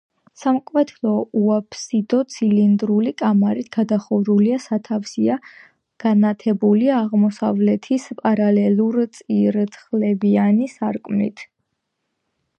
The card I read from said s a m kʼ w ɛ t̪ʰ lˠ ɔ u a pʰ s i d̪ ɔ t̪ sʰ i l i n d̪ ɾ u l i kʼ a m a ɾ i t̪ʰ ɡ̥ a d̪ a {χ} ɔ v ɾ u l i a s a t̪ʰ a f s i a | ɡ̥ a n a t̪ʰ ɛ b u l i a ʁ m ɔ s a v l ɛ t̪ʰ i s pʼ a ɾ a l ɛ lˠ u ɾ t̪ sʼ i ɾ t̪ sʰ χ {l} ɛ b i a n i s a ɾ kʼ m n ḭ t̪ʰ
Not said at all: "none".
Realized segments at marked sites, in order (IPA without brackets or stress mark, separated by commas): χ, l